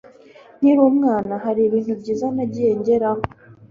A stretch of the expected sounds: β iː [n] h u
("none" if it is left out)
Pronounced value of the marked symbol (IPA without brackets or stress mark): n